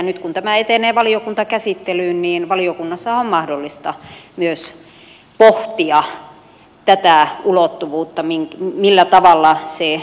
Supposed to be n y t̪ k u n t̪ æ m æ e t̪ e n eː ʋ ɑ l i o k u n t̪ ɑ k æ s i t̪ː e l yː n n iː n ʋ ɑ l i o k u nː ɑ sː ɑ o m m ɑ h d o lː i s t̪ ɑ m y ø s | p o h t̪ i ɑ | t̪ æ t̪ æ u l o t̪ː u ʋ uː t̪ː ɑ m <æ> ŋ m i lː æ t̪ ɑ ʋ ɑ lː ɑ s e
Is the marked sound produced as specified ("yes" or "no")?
no